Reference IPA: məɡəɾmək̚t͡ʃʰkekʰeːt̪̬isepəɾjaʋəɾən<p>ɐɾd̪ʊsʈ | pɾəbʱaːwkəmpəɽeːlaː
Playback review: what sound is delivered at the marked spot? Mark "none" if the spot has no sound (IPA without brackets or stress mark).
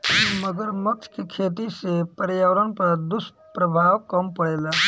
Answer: p